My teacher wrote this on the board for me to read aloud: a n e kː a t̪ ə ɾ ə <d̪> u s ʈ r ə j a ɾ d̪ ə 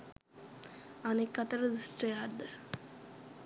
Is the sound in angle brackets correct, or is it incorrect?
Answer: correct